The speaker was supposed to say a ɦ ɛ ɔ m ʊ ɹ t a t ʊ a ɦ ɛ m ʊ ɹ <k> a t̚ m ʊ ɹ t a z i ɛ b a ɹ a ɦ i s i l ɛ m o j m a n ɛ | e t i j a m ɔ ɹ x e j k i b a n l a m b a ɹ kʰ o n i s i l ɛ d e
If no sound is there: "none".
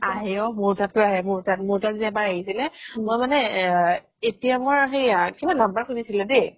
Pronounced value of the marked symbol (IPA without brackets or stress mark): t